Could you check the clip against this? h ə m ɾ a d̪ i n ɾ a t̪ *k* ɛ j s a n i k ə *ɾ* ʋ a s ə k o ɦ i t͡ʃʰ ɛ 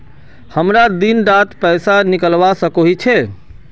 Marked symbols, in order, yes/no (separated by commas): no, no